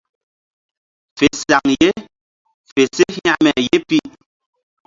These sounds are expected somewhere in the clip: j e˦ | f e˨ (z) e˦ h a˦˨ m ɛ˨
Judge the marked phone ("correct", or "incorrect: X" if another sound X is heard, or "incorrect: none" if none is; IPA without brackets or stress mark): incorrect: s